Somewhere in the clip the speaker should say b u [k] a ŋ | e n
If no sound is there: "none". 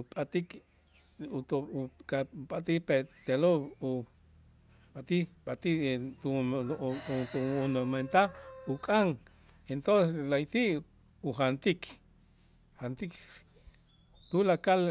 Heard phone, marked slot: kʼ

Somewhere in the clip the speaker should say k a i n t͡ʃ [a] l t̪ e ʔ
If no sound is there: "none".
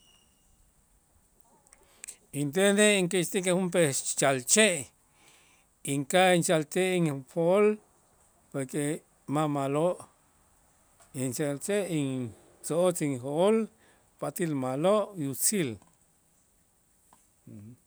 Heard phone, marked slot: a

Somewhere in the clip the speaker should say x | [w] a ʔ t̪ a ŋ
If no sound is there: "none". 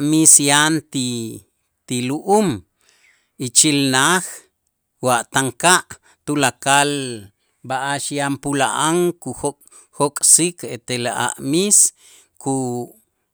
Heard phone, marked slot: w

